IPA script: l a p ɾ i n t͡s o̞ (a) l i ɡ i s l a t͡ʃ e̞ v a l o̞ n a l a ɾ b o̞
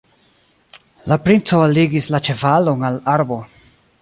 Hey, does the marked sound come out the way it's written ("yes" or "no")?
yes